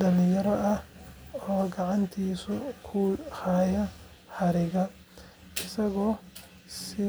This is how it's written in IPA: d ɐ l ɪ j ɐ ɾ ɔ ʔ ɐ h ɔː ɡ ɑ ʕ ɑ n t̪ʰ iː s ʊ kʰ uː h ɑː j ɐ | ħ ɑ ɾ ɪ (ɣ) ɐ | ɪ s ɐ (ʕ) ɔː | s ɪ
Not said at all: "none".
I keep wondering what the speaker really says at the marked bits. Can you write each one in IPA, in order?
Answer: ɣ, ɣ

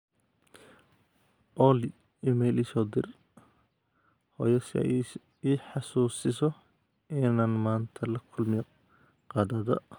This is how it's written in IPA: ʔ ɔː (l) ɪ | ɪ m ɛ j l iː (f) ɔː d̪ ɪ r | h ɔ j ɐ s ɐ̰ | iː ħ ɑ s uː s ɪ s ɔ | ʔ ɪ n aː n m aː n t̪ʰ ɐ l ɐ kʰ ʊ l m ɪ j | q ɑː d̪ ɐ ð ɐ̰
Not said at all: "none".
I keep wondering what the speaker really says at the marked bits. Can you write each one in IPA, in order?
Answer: l, s

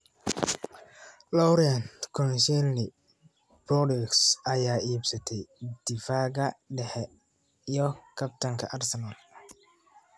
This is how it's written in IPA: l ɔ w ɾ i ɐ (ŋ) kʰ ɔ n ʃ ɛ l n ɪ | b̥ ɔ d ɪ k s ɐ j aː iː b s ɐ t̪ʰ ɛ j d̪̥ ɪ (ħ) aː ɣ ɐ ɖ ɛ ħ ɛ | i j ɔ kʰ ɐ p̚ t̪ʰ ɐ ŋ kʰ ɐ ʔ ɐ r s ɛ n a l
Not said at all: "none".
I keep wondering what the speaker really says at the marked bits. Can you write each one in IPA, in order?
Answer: n, f

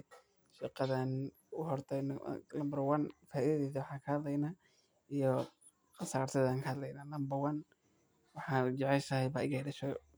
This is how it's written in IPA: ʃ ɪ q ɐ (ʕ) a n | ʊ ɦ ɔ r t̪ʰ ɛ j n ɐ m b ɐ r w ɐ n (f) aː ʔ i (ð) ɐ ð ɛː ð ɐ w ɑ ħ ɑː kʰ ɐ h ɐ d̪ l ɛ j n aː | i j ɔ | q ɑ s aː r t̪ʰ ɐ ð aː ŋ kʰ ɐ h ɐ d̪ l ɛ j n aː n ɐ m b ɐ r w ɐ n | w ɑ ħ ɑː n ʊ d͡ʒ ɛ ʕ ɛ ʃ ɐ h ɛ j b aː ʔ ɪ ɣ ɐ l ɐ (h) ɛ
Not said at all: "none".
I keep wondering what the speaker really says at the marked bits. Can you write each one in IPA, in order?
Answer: ð, f, ð, ʃ

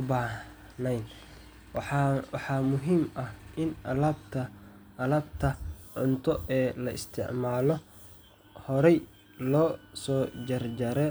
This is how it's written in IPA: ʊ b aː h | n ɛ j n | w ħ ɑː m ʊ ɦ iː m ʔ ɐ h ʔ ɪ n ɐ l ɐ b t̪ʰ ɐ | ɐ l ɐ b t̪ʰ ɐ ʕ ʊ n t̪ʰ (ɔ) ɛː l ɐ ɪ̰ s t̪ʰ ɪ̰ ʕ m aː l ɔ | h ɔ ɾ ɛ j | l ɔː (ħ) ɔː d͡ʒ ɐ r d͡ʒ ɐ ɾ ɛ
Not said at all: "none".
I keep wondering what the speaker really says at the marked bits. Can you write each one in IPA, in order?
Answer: ɔ, s

